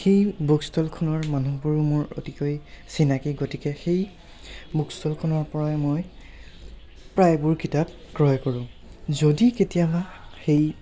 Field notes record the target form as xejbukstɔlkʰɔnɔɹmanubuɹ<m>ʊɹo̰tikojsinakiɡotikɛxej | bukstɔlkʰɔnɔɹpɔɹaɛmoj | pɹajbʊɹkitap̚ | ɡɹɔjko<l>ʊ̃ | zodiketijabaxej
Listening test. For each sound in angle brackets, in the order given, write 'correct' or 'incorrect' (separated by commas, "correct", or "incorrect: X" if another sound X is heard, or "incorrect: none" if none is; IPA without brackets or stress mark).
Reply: correct, incorrect: ɹ